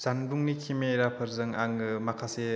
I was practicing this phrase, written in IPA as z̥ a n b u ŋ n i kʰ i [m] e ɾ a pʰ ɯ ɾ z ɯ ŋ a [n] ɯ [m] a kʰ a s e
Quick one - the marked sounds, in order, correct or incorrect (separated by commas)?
correct, incorrect, correct